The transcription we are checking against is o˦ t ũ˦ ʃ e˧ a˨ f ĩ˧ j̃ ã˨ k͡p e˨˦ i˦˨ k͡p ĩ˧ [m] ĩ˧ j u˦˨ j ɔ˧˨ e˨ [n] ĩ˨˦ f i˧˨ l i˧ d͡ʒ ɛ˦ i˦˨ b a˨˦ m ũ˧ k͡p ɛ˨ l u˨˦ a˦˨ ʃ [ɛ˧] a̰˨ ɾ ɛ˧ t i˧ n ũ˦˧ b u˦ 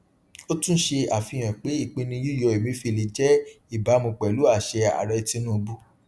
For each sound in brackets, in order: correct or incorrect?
incorrect: n, incorrect: m, correct

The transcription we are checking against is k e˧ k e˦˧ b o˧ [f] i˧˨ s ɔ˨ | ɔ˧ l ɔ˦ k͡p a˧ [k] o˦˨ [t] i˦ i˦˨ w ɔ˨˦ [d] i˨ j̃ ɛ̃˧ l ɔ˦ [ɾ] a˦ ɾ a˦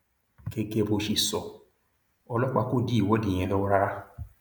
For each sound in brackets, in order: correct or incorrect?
incorrect: ʃ, correct, incorrect: d, correct, correct

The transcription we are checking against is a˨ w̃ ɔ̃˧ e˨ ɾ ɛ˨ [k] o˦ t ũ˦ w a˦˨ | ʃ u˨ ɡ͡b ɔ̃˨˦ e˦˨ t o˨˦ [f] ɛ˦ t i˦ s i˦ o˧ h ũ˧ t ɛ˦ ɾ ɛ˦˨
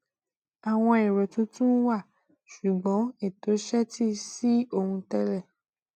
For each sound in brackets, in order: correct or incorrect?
incorrect: t, incorrect: ʃ

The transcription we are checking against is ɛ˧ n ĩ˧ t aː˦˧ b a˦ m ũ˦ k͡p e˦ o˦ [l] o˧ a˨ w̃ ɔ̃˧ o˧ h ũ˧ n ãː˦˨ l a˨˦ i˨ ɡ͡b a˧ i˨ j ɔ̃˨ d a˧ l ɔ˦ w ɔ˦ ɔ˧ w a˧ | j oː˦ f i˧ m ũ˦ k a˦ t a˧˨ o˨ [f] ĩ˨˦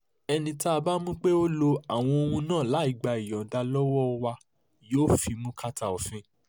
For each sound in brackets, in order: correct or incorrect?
correct, correct

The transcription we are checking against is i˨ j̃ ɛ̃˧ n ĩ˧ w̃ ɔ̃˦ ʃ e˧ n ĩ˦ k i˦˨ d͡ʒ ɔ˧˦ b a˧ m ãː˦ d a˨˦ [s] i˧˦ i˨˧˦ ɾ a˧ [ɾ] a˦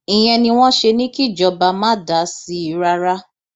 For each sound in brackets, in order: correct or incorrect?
correct, correct

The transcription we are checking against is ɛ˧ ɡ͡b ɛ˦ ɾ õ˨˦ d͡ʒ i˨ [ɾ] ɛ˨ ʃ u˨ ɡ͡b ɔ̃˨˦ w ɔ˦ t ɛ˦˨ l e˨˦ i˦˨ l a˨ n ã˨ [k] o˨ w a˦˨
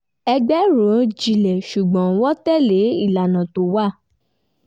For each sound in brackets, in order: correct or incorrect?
incorrect: l, incorrect: t

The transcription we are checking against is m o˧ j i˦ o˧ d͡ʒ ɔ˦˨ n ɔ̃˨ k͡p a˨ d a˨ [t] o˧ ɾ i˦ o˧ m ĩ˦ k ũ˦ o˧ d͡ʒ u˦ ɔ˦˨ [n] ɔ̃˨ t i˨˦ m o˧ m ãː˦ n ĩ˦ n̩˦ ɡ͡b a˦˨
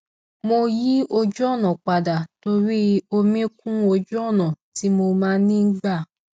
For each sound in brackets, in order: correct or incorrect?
correct, correct

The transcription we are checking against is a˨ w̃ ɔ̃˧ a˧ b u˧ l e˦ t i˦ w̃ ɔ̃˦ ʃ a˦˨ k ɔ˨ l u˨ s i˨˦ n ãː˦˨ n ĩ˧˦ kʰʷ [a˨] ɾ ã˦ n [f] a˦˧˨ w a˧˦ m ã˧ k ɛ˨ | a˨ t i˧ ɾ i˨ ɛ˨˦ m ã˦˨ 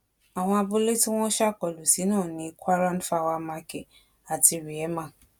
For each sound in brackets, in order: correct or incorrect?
incorrect: a˦, correct

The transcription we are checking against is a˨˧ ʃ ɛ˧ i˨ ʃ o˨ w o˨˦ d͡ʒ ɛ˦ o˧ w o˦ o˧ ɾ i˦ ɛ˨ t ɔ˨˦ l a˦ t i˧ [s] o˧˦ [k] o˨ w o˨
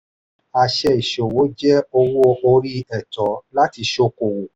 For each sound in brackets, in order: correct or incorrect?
incorrect: ʃ, correct

